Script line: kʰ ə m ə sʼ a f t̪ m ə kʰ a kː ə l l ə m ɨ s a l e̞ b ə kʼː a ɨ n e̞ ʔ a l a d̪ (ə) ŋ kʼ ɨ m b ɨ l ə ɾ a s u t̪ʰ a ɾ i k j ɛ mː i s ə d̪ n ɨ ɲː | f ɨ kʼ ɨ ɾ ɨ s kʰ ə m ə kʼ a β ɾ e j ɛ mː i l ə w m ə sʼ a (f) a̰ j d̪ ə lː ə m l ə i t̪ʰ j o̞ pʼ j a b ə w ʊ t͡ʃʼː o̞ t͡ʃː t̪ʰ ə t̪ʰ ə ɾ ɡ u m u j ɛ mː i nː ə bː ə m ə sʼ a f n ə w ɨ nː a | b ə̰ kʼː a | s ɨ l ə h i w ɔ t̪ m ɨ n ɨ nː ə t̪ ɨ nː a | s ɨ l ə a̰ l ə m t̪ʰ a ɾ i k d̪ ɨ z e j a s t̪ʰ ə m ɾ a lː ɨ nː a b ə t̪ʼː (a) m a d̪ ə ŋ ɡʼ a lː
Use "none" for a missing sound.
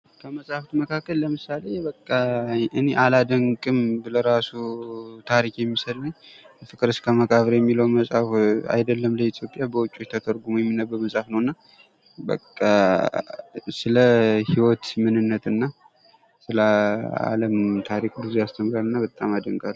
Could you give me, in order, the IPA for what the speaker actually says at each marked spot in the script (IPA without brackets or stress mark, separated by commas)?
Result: ə, f, a